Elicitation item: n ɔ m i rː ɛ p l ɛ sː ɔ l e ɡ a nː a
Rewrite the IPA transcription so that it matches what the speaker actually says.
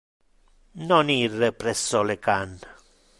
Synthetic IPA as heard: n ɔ n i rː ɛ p ɾ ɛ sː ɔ l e k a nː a